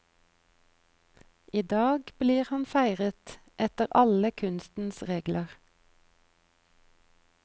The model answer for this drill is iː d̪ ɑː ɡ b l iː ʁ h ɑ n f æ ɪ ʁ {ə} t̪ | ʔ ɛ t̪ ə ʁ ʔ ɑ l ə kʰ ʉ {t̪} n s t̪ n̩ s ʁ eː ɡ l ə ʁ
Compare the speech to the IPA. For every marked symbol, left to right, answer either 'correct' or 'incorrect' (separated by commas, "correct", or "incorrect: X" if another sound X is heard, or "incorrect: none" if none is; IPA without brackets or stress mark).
correct, incorrect: none